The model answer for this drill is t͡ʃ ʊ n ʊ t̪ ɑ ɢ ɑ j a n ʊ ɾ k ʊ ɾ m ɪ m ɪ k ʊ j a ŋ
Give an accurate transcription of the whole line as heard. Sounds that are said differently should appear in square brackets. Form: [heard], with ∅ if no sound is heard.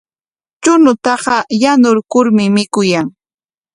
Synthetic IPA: t͡ʃ ʊ n ʊ t̪ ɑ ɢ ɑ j a n ʊ ɾ k ʊ ɾ m ɪ m ɪ k ʊ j a ŋ